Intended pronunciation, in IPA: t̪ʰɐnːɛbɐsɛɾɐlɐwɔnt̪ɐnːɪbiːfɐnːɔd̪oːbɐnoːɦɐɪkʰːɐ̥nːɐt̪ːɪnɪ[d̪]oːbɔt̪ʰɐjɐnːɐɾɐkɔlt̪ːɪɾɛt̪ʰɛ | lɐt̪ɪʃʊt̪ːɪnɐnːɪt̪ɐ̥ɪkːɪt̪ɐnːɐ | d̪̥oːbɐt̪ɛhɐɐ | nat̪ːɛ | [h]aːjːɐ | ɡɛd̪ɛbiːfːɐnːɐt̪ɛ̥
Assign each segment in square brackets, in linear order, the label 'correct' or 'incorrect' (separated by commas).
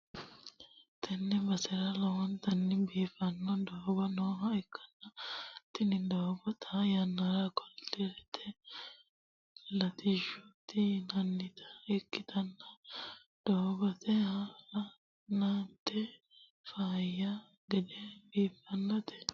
correct, incorrect